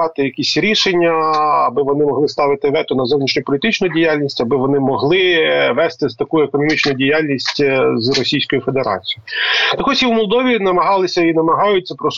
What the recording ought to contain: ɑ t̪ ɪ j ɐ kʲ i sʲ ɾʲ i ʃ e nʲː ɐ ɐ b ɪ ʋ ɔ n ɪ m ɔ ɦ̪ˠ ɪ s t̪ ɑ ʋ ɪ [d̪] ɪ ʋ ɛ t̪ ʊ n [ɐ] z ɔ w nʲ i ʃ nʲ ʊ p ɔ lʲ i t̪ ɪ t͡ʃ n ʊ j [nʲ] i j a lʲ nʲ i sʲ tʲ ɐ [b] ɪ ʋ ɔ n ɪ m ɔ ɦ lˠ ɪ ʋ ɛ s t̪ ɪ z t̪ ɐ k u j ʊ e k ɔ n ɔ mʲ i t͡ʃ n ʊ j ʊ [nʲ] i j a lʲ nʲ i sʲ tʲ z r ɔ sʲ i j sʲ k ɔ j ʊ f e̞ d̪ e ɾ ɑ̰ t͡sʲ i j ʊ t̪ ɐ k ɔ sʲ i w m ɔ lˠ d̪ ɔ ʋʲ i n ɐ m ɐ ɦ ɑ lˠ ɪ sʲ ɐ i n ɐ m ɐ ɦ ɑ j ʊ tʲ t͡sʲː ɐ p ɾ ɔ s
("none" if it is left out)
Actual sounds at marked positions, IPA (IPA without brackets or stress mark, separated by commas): t̪, ɐ, dʲ, b, dʲ